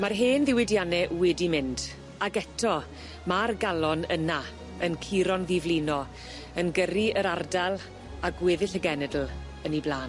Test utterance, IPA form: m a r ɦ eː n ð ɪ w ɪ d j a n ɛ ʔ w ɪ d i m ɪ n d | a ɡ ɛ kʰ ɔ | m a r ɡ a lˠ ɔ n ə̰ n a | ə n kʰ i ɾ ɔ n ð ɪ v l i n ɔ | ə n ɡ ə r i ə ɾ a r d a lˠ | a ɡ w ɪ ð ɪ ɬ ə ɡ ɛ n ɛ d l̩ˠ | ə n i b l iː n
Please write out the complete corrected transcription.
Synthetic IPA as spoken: m a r ɦ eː n ð ɪ w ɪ d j a n ɛ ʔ w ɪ d i m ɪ n d | a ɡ ɛ tʰ ɔ | m a r ɡ a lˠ ɔ n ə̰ n a | ə n kʰ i ɾ ɔ n ð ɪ v l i n ɔ | ə n ɡ ə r i ə ɾ a r d a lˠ | a ɡ w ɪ ð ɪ ɬ ə ɡ ɛ n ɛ d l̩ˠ | ə n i b l aː n